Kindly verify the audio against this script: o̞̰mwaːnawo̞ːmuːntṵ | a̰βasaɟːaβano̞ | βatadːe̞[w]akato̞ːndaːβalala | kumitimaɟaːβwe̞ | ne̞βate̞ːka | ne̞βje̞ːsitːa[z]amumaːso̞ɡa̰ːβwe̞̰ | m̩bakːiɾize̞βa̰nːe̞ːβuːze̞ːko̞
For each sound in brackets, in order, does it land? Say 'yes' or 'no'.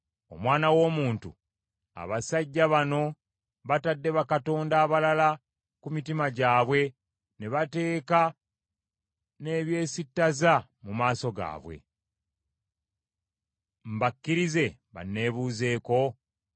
no, yes

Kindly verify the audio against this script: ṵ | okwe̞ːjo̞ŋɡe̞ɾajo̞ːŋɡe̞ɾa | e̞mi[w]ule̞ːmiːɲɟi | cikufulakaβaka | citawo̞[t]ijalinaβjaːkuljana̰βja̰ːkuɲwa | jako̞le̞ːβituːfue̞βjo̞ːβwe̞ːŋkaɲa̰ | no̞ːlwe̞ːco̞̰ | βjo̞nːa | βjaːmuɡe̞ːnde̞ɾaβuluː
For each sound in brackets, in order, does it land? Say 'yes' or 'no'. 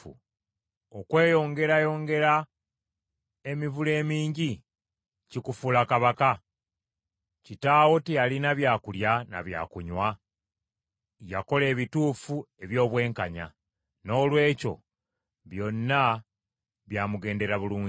no, yes

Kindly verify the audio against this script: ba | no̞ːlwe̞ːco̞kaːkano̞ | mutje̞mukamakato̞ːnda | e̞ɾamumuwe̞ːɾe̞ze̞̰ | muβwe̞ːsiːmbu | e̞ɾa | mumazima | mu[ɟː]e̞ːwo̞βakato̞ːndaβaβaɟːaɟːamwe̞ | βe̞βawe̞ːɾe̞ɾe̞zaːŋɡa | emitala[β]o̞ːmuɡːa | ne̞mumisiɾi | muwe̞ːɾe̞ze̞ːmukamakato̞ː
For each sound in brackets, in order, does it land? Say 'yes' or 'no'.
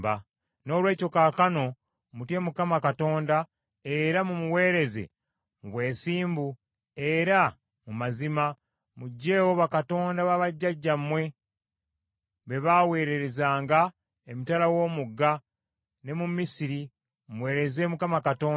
yes, no

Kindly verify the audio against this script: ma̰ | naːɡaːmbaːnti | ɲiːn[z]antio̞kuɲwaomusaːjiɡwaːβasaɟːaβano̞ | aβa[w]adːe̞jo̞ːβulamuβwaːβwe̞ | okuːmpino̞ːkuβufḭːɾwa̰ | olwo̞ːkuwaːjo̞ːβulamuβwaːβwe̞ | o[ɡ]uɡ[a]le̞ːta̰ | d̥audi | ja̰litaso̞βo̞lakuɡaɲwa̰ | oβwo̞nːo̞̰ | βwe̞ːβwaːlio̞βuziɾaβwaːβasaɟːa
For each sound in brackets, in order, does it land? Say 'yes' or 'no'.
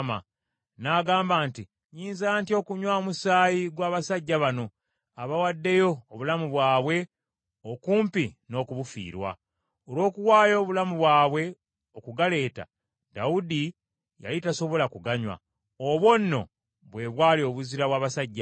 yes, yes, no, yes

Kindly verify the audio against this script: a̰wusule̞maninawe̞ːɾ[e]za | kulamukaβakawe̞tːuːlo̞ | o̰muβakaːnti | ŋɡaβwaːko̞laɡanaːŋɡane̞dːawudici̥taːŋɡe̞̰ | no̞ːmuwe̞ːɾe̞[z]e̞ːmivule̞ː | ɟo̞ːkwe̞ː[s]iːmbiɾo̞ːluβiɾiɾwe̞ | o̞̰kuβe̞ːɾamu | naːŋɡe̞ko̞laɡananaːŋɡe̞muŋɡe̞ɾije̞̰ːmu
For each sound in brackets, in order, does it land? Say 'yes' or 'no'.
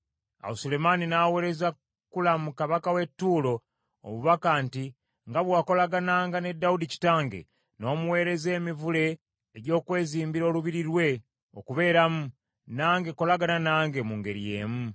yes, yes, no

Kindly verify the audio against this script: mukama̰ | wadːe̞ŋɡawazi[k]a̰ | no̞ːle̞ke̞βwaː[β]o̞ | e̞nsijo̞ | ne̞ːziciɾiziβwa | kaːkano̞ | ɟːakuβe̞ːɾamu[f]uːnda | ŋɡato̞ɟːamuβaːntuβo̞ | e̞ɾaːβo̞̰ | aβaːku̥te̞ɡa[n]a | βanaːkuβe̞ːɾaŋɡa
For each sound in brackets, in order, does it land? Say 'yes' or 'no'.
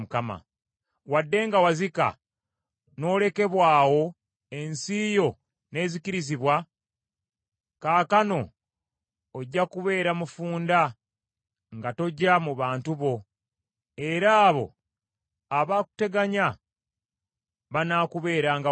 yes, no, yes, no

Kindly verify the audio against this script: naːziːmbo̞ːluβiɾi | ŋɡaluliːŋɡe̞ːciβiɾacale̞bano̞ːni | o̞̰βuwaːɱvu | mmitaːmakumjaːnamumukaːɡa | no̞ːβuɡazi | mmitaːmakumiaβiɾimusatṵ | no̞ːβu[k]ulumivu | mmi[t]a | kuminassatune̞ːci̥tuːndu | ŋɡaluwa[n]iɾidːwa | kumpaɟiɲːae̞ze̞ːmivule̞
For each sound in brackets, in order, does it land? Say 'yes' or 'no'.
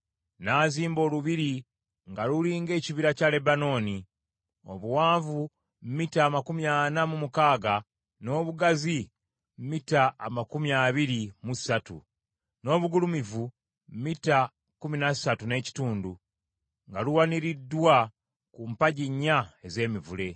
no, yes, yes

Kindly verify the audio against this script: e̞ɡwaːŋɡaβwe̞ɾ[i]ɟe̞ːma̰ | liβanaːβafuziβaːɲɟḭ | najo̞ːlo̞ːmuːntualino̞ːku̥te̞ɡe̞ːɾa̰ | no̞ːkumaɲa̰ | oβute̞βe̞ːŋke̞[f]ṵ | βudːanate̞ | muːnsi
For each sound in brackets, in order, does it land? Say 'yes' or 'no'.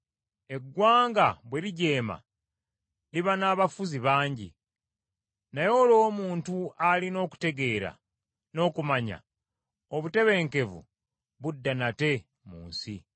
yes, no

